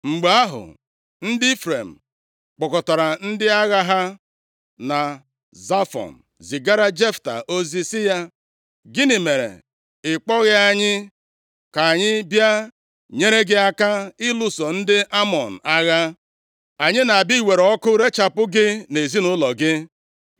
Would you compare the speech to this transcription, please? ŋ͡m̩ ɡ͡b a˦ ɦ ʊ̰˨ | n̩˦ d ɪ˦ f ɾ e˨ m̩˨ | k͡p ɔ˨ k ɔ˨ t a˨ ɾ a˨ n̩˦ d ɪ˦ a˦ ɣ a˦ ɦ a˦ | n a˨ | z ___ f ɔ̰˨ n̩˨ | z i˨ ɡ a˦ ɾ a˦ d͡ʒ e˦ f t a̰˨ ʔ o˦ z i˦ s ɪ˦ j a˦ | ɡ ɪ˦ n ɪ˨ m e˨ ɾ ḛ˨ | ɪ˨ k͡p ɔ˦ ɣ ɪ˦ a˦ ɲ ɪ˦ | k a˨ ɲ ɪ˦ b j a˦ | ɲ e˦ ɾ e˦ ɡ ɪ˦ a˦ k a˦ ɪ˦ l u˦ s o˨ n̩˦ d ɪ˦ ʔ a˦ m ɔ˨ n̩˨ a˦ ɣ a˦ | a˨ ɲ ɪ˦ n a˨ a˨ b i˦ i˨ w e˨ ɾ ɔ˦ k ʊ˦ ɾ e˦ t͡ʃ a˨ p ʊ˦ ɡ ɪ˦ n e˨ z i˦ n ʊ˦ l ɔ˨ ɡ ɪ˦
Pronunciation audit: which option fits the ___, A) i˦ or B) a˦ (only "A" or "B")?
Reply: B